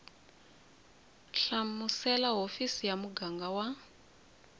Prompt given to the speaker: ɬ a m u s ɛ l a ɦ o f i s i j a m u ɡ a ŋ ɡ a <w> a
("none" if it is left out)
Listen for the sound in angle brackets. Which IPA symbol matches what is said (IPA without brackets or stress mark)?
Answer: w